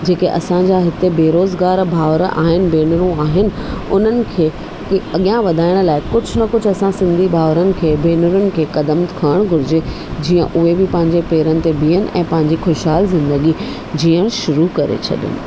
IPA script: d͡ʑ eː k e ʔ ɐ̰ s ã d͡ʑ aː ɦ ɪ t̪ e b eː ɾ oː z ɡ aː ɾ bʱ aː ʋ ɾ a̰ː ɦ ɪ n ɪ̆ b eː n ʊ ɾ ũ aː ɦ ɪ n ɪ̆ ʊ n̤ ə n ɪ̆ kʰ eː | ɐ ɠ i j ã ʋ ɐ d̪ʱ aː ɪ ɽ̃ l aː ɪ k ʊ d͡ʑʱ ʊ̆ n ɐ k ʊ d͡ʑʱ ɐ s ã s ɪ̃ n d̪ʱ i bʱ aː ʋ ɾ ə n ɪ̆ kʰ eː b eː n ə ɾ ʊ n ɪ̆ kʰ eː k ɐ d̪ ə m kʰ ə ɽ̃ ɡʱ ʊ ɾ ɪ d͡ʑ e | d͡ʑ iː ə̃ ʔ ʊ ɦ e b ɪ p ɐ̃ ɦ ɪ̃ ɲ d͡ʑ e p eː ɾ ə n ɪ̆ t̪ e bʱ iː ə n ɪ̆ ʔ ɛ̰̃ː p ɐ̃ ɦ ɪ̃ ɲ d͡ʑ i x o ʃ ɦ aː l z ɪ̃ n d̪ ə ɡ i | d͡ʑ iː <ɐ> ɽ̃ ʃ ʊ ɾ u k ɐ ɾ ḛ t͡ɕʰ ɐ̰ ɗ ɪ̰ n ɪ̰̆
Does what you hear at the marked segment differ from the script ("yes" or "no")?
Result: yes